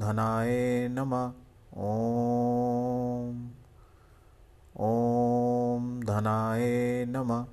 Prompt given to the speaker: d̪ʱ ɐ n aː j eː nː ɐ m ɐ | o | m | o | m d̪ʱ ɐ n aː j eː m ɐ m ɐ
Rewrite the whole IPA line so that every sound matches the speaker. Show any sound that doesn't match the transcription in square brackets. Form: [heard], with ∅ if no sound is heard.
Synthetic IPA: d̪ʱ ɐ n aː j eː [n] ɐ m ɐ | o | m | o | m d̪ʱ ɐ n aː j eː [n] ɐ m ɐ